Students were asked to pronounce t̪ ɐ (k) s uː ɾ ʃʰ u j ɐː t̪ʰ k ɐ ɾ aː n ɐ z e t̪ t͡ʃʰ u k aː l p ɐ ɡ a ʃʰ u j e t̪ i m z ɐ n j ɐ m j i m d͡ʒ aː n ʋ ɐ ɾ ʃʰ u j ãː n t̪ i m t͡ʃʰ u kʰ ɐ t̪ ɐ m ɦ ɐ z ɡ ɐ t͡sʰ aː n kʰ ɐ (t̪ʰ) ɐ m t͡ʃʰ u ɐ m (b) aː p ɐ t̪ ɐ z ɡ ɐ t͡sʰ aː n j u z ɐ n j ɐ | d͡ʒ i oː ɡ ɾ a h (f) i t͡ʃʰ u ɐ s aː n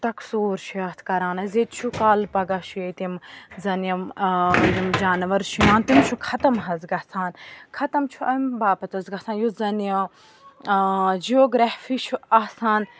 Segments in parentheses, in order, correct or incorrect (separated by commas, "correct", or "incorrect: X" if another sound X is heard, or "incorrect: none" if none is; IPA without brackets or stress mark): correct, incorrect: t̪, correct, correct